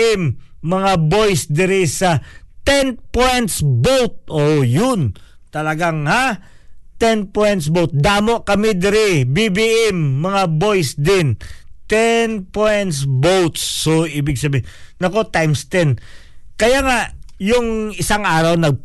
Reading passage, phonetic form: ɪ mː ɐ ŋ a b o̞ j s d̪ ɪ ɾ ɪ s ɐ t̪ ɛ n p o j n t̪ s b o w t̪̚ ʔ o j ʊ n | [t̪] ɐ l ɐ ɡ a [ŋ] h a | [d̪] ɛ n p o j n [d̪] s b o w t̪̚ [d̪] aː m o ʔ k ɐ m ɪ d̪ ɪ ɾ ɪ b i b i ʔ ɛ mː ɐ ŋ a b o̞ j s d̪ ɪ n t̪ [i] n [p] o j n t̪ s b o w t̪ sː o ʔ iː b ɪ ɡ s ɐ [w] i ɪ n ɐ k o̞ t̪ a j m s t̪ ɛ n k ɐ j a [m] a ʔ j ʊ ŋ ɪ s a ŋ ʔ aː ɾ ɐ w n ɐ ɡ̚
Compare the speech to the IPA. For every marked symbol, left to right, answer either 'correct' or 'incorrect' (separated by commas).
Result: correct, correct, incorrect, incorrect, correct, incorrect, correct, incorrect, incorrect